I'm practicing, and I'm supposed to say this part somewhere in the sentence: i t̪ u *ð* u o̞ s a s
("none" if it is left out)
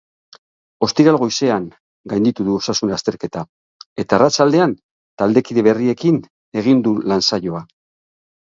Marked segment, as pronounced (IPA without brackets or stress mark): ð